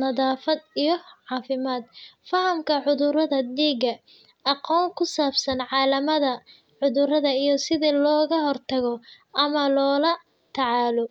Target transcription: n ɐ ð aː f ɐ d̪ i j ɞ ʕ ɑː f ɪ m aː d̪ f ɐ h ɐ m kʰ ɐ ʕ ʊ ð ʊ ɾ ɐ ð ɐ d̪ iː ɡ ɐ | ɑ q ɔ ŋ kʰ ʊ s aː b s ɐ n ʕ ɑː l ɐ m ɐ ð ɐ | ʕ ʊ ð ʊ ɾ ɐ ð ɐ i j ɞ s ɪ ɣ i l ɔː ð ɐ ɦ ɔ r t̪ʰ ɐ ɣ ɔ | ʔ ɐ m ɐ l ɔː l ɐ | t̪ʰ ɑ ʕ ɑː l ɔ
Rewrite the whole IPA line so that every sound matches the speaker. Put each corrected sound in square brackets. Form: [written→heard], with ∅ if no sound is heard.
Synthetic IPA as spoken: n ɐ ð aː f ɐ d̪ i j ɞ ʕ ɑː f ɪ m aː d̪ f ɐ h ɐ m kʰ ɐ ʕ ʊ ð ʊ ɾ ɐ ð ɐ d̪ iː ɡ ɐ | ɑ q [ɔ→ɔː] ŋ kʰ ʊ s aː b s ɐ n ʕ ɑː l ɐ m ɐ ð ɐ | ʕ ʊ ð ʊ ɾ ɐ ð ɐ i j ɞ s ɪ [ɣ→ð] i l ɔː [ð→ɣ] ɐ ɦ ɔ r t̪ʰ ɐ ɣ ɔ | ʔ ɐ m ɐ l ɔː l ɐ | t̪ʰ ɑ ʕ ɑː l ɔ